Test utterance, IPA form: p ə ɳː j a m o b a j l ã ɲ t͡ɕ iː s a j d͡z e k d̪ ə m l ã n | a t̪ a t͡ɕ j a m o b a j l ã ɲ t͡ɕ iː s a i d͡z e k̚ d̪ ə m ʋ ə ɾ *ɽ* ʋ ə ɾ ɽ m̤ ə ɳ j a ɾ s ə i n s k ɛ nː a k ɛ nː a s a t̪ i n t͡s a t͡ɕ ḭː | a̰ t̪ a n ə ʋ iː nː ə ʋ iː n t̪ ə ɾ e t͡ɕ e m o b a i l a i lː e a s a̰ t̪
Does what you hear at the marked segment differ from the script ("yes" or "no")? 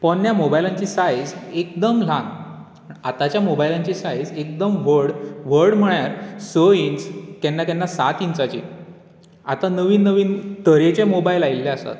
no